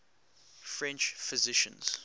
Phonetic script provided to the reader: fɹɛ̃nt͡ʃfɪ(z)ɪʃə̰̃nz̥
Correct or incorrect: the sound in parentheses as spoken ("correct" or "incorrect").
correct